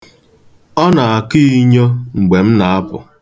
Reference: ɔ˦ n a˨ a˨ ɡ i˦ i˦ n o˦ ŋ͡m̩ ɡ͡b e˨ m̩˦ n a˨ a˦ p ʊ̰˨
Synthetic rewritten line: ɔ˦ n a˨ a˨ k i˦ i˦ ɲ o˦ ŋ͡m̩ ɡ͡b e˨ m̩˦ n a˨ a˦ p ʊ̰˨

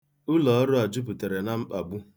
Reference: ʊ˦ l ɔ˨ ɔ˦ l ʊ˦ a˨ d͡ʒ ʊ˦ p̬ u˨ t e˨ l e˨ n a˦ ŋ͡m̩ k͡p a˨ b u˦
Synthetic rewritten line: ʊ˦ l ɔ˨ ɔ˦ ɾ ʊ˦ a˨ d͡ʒ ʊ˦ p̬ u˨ t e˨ ɾ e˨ n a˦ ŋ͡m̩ k͡p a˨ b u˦

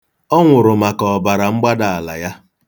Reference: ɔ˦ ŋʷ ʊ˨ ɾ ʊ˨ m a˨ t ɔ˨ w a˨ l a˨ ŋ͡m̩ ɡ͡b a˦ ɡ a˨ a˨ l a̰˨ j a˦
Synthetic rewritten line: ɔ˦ ŋʷ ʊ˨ ɾ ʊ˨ m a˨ k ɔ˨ b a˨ ɾ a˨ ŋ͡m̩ ɡ͡b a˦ d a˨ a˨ l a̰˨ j a˦

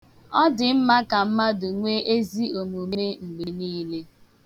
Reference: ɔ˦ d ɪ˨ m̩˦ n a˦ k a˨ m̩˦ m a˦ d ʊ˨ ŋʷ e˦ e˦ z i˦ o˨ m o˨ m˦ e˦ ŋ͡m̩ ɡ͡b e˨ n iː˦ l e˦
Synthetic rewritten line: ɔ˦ d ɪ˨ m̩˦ m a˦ k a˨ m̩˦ m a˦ d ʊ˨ ŋʷ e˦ e˦ z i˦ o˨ m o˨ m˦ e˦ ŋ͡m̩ ɡ͡b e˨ n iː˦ l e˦

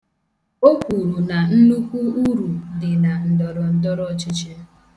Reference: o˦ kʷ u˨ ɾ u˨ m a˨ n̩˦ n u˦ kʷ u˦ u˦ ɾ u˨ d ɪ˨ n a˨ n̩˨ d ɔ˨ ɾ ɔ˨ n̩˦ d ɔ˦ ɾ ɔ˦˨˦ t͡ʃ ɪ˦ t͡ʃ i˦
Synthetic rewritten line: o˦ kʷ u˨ ɾ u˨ n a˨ n̩˦ n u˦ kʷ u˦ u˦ ɾ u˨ d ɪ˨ n a˨ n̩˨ d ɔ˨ ɾ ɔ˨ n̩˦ d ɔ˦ ɾ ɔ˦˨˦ t͡ʃ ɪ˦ t͡ʃ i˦

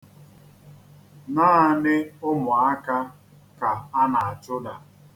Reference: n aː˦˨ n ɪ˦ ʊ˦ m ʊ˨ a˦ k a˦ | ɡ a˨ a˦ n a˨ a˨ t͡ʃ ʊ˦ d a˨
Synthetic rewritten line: n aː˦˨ n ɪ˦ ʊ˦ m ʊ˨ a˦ k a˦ | k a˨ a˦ n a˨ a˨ t͡ʃ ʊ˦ d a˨

